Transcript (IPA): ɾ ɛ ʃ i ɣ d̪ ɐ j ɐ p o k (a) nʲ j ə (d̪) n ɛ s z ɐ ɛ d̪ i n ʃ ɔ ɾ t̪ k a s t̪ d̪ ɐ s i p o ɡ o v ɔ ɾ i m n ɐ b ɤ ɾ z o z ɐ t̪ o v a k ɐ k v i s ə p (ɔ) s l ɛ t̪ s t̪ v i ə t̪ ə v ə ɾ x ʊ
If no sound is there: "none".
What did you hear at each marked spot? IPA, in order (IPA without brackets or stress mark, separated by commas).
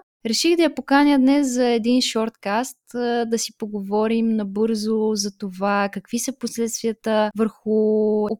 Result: a, d̪, o